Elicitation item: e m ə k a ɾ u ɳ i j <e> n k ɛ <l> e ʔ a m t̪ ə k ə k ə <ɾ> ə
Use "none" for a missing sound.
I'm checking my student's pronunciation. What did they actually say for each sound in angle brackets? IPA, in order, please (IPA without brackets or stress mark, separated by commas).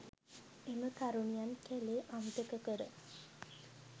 a, l, ɾ